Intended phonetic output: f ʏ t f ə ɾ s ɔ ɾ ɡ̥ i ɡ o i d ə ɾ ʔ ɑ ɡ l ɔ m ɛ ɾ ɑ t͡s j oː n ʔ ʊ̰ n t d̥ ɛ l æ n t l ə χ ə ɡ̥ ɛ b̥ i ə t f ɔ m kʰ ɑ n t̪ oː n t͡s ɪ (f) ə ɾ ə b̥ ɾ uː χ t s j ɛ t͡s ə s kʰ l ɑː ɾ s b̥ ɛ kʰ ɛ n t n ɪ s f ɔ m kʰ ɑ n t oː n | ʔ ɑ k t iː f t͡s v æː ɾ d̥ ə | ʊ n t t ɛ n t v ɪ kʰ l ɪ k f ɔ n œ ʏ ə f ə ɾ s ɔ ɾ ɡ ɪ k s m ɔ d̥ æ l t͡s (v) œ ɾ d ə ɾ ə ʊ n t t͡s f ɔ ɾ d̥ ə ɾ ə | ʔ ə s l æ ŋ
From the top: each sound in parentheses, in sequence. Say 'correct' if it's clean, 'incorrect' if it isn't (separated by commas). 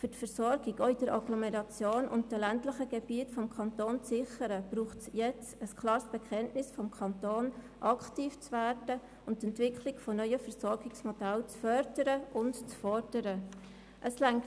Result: incorrect, incorrect